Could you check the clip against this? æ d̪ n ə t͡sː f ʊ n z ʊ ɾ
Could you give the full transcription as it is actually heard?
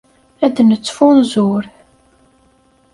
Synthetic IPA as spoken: æ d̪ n ə t͡sː f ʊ n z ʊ ɾ